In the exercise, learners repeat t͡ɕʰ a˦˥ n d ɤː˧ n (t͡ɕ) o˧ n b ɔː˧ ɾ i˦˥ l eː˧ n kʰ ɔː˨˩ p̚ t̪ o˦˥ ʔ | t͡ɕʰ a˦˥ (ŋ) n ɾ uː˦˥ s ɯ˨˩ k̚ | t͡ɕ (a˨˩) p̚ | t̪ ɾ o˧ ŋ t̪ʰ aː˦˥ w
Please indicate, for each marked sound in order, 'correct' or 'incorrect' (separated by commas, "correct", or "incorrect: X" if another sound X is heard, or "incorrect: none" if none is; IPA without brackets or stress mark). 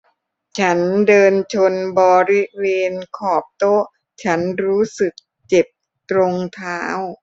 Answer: incorrect: t͡ɕʰ, incorrect: none, incorrect: e˨˩